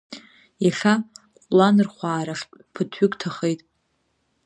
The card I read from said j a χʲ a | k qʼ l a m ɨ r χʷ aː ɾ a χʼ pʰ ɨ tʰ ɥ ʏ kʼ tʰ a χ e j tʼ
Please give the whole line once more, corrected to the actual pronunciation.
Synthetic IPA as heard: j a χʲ a | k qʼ l a n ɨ r χʷ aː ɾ a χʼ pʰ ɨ tʰ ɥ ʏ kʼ tʰ a χ e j tʼ